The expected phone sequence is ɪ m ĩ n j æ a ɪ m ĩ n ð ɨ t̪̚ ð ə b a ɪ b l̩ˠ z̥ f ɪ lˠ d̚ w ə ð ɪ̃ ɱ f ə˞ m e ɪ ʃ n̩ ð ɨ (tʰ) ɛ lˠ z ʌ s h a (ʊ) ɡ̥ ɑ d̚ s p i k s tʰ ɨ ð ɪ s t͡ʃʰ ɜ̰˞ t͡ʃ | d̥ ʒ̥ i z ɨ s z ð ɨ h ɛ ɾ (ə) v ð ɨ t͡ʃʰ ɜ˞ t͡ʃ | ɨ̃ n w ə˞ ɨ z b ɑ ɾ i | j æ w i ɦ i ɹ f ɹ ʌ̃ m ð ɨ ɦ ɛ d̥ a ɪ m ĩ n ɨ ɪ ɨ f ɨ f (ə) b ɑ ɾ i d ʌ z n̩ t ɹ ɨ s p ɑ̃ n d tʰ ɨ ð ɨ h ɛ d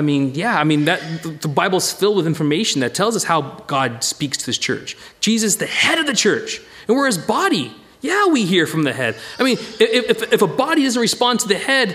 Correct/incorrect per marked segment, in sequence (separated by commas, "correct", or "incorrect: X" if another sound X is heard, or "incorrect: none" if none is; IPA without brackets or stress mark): correct, correct, incorrect: ʌ, correct